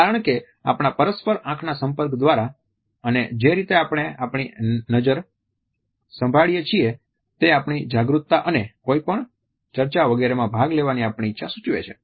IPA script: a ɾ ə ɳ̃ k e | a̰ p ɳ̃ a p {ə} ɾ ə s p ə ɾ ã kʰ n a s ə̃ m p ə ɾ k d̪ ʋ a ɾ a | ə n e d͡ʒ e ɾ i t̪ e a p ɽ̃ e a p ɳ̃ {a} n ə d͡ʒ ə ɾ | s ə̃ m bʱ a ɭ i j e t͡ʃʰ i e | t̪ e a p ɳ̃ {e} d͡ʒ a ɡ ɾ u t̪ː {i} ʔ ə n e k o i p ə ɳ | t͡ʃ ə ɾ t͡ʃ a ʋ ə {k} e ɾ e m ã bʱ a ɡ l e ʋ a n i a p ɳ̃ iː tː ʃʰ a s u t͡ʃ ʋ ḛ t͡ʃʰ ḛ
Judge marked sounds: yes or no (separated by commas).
yes, no, no, no, no